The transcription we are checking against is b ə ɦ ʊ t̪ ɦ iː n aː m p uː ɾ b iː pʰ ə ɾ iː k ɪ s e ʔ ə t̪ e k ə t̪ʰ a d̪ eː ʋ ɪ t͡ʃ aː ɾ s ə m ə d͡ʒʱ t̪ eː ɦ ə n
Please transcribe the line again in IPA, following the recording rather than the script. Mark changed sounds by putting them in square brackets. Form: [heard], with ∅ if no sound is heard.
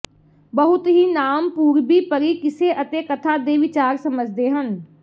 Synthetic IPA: b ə ɦ ʊ t̪ ɦ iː n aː m p uː ɾ b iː [p] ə ɾ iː k ɪ s e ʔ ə t̪ e k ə t̪ʰ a d̪ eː ʋ ɪ t͡ʃ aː ɾ s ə m ə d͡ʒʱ [d̪] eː ɦ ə n